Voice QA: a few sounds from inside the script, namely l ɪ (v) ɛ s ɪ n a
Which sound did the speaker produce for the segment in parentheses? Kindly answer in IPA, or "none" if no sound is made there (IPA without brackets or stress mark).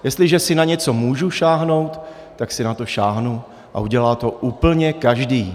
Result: ʒ